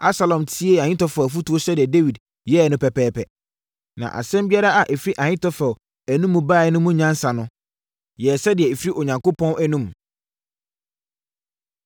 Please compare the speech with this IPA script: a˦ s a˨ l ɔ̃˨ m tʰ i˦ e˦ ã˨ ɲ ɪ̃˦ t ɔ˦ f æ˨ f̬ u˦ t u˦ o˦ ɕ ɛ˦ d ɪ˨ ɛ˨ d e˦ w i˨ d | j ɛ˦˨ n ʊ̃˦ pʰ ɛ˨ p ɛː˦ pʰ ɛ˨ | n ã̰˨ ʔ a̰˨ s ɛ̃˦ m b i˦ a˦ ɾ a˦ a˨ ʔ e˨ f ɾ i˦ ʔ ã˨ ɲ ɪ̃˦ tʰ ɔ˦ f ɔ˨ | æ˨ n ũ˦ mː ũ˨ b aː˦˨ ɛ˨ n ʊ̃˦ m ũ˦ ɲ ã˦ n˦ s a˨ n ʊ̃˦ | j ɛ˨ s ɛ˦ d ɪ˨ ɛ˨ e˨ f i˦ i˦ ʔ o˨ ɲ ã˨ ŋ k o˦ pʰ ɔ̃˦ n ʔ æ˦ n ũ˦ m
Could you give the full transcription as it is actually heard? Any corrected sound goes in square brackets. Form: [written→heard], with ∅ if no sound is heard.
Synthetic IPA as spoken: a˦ s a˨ l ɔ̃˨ m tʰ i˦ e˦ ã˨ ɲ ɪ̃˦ t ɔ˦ f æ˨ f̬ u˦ t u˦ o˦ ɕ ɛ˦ d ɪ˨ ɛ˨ d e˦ w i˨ d | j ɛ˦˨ n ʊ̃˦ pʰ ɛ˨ p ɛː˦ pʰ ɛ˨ | n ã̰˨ ʔ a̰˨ s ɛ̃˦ m b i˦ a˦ ɾ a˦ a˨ ʔ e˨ f ɾ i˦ ʔ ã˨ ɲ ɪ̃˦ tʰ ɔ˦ f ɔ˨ | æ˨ n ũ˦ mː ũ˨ b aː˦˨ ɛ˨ n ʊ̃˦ m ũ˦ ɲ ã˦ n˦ s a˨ n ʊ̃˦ | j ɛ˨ s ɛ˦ d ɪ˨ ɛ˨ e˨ f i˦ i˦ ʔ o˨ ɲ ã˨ ŋ k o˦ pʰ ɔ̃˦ n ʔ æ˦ n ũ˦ m